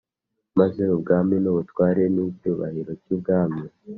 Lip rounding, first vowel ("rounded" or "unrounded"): unrounded